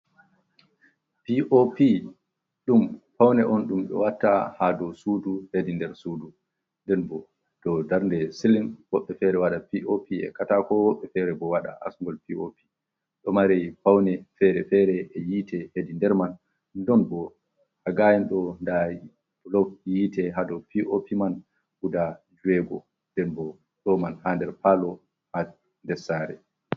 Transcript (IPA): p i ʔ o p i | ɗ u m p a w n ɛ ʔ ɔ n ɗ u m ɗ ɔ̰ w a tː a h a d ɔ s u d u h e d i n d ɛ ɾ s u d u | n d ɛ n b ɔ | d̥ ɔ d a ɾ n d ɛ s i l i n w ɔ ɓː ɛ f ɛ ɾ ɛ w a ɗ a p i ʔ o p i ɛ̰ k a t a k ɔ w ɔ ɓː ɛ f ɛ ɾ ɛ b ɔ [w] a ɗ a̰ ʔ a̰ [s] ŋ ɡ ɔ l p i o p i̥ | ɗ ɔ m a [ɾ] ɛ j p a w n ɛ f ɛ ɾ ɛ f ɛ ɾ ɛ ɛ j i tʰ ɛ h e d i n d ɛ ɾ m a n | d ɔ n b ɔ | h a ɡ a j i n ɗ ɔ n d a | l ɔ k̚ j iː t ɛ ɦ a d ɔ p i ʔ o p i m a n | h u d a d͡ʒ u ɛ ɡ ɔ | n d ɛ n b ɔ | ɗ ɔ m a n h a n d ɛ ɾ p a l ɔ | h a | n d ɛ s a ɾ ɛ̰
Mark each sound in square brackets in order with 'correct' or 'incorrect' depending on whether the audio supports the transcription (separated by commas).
correct, correct, correct